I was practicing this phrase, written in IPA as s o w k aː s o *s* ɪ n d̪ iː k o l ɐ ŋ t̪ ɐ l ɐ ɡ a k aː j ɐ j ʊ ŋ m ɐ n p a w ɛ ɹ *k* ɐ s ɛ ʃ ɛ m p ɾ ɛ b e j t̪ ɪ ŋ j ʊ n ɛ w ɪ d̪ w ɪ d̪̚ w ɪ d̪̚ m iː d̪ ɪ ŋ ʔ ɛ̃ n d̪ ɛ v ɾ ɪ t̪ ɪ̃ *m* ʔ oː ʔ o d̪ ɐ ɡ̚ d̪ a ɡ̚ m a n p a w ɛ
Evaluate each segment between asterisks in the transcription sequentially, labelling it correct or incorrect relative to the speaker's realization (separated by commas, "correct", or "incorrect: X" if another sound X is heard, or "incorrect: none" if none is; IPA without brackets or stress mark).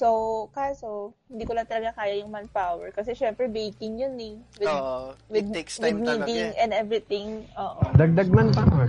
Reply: incorrect: h, correct, incorrect: ŋ